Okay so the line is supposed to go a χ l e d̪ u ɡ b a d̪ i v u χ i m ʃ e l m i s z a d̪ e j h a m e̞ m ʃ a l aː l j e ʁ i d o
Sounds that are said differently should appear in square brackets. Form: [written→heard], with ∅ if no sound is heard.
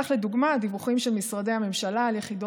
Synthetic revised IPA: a χ l e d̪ u ɡ [b→m] a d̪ i v u χ i m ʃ e l m i s [z→ʁ] a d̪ e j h a m e̞ m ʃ a l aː l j e [ʁ→χ] i d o